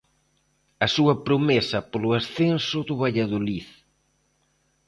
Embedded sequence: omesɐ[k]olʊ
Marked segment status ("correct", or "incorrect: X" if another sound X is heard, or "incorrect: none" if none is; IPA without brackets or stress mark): incorrect: p